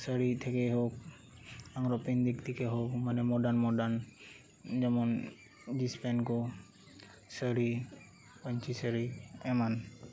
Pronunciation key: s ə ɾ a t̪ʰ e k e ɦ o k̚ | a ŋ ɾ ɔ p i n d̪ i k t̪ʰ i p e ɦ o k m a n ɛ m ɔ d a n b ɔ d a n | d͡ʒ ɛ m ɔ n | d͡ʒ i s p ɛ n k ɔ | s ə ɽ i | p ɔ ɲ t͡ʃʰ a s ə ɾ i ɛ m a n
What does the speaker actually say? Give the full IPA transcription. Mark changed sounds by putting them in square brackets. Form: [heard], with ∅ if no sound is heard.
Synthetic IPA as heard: s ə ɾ [i] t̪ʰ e k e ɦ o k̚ | a ŋ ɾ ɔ p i n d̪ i k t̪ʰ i [k] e ɦ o k m a n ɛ m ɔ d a n [m] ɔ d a n | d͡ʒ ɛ m ɔ n | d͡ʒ i s p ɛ n k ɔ | s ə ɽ i | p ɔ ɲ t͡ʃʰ [i] s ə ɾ i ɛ m a n